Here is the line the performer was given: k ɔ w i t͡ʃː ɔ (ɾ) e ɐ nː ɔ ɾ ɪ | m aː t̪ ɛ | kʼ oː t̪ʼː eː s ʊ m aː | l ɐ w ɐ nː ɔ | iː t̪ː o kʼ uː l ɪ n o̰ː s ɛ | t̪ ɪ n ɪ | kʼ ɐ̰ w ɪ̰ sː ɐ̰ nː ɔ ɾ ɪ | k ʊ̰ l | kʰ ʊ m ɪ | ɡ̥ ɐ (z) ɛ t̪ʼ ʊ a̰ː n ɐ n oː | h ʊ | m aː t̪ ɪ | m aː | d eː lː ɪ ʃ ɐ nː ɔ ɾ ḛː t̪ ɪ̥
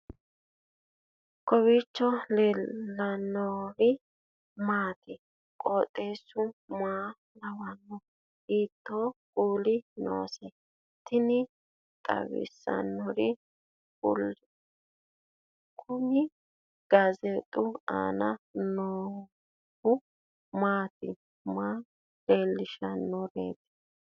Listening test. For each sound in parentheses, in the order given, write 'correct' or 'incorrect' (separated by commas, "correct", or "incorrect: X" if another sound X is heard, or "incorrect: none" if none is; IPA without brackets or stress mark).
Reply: incorrect: l, correct